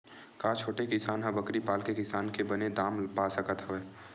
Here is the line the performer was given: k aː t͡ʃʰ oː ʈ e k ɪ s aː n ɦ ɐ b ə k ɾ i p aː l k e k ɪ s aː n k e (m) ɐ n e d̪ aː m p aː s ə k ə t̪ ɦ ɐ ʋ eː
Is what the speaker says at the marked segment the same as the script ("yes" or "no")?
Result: no